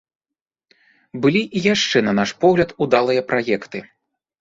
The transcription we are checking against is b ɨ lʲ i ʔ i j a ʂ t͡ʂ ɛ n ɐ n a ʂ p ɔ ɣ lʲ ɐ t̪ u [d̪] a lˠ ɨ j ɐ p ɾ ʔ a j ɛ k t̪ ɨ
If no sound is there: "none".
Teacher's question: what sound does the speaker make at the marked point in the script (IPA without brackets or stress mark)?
d̪